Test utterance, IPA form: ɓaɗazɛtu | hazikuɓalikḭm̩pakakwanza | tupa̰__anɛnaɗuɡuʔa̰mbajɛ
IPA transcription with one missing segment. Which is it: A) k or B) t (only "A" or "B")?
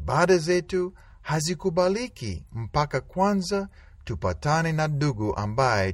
B